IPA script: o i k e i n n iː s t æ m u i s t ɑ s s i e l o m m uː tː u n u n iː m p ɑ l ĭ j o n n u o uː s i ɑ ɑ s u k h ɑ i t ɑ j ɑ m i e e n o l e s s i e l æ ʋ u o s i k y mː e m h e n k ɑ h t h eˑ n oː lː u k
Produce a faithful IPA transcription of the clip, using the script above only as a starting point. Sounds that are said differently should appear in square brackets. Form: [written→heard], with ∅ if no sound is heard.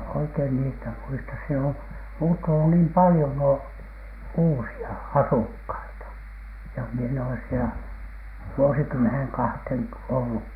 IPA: o i k e i n n iː s t æ m u i s t ɑ s s i e l o m m uː tː u n u n iː m p ɑ l ĭ j o n n u o uː s i ɑ ɑ s u k h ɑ i t ɑ j ɑ m i e e n o l e s s i e l æ ʋ u o s i k y mː e [m→n] h e n k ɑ h t h eˑ n [oː→o] lː u k